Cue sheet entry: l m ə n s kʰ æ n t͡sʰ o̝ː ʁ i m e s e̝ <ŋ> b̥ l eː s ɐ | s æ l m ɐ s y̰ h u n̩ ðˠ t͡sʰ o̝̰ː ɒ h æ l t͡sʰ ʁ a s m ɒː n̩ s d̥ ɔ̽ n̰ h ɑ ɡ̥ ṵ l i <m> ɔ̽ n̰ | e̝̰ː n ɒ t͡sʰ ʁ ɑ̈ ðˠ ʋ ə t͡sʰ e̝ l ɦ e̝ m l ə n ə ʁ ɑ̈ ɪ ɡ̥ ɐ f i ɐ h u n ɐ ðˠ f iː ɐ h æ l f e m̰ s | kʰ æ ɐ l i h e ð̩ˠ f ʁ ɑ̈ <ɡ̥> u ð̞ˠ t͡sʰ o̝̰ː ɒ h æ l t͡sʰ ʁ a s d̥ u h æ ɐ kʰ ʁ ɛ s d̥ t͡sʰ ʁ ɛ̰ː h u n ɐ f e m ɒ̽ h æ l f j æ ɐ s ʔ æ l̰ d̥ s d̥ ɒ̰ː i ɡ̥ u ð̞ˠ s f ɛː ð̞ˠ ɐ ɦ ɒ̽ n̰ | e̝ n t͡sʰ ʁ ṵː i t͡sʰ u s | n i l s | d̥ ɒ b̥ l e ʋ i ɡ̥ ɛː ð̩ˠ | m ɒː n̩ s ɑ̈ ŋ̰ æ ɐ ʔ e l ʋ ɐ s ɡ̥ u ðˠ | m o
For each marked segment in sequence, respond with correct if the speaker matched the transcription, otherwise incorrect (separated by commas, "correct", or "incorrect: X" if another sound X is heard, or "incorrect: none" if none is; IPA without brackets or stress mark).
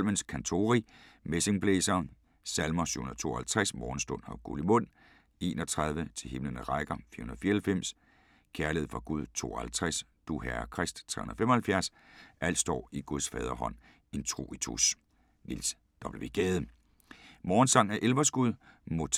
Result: correct, correct, correct